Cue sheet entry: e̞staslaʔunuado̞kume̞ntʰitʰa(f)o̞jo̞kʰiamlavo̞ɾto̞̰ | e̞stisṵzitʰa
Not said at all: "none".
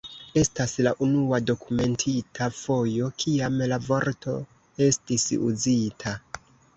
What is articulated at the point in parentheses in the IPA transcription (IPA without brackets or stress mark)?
f